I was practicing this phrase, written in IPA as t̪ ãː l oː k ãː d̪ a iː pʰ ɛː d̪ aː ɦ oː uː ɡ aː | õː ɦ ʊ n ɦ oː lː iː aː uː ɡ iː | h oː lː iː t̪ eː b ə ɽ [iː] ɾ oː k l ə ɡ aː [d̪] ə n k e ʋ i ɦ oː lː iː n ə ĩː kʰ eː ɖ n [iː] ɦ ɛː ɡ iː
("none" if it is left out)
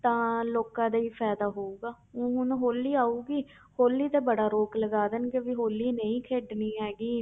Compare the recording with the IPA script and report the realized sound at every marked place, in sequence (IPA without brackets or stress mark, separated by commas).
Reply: aː, d̪, iː